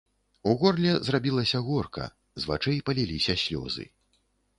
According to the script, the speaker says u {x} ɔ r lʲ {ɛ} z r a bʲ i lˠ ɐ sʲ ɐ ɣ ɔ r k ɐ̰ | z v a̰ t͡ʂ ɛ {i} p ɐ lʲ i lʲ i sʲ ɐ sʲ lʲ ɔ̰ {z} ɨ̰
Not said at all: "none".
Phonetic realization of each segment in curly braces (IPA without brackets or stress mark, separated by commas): ɣ, ɛ, j, z